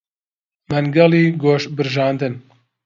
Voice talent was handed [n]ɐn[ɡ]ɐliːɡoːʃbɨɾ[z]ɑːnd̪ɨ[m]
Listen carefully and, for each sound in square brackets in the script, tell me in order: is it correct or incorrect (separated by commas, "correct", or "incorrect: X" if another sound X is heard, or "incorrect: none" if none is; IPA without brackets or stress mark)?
incorrect: m, correct, incorrect: ʒ, incorrect: n